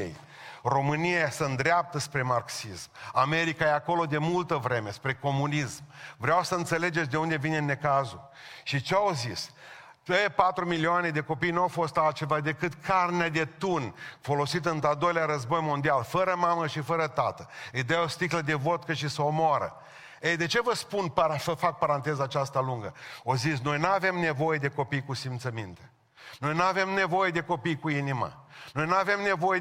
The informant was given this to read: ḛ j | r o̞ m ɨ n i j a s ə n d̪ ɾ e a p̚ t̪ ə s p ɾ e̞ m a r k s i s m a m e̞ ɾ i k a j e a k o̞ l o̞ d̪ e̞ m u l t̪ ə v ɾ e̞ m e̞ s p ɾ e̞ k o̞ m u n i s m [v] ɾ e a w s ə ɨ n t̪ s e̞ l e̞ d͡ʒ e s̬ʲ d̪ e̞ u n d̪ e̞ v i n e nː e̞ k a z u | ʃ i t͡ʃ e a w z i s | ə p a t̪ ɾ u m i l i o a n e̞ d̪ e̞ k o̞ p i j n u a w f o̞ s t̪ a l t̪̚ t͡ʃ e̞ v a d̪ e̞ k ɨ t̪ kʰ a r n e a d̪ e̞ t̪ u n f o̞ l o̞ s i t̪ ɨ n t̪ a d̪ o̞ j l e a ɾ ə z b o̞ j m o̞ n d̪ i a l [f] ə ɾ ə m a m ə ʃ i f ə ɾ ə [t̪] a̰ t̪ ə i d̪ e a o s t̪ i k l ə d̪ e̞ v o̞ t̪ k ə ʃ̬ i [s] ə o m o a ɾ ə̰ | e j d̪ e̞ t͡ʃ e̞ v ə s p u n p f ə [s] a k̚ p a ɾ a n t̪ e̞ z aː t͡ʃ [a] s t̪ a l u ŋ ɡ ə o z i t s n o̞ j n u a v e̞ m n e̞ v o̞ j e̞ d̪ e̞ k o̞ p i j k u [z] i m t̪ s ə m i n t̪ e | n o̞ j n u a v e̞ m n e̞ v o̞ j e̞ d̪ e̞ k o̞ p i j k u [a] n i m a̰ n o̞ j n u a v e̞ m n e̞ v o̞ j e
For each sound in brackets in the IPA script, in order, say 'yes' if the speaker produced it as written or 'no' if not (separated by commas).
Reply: yes, yes, yes, yes, no, yes, no, no